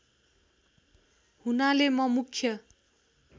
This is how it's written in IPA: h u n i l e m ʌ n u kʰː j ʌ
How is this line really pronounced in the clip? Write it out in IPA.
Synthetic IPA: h u n a l e m ʌ m u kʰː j ʌ